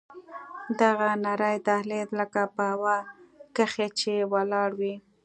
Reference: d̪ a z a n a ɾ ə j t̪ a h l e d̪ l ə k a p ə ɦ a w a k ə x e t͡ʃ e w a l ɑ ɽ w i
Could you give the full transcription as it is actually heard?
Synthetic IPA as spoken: d̪ a ɣ a n a ɾ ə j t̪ a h l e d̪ l ə k a p ə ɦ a w a k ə x e t͡ʃ e w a l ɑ ɽ w i